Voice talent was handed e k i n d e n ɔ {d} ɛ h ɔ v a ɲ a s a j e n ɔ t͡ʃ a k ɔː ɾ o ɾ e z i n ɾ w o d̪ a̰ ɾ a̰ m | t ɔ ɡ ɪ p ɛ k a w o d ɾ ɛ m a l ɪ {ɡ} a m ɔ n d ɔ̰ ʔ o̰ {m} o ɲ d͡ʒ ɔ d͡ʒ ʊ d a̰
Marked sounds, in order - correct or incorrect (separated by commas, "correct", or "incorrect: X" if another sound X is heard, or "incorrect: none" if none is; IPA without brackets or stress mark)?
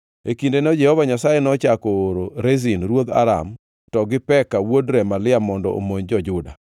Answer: incorrect: d͡ʒ, incorrect: none, correct